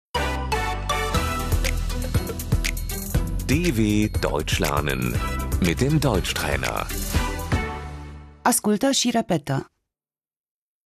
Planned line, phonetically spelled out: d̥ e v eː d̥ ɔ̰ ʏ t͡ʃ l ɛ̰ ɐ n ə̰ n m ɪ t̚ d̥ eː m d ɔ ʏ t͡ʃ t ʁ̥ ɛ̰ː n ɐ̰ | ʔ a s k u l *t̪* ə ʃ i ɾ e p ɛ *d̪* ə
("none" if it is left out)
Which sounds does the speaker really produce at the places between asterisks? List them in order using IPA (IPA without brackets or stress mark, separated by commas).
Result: t̪, t̪